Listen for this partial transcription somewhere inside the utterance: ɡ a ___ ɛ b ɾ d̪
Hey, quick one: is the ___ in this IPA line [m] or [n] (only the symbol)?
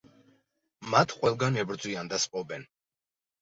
n